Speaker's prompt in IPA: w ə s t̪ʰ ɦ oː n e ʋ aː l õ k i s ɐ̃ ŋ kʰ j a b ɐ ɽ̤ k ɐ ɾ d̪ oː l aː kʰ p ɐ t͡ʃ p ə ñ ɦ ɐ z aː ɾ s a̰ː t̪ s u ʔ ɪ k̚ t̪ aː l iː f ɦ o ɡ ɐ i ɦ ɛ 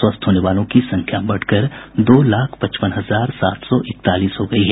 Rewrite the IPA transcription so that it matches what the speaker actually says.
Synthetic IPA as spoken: w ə s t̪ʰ ɦ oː n e ʋ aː l õ k i s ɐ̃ ŋ kʰ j a b ɐ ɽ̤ k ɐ ɾ d̪ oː l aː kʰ p ɐ t͡ʃ p ə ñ ɦ ɐ z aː ɾ s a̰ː t̪ s ɔ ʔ ɪ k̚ t̪ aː l iː s ɦ o ɡ ɐ i ɦ ɛ